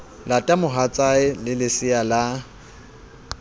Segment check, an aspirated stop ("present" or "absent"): absent